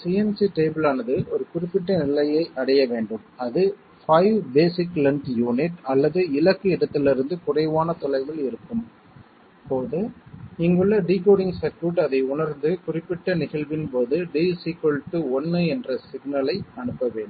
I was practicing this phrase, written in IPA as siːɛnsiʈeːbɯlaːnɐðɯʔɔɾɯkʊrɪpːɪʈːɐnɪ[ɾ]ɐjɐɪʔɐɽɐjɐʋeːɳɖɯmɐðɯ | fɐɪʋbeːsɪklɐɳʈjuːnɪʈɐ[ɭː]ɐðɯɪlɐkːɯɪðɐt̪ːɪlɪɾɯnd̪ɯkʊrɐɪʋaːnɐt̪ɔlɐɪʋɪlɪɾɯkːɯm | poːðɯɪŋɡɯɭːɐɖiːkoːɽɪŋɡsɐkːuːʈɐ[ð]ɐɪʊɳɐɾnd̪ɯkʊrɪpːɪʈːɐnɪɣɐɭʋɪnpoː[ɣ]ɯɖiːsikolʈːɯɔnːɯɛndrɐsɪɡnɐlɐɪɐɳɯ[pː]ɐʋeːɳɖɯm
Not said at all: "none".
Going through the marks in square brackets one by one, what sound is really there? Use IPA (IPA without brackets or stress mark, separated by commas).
l, lː, ð, ð, pː